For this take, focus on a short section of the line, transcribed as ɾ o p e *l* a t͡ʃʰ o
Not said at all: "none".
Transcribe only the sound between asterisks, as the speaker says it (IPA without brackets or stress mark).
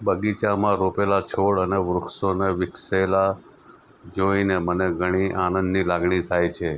l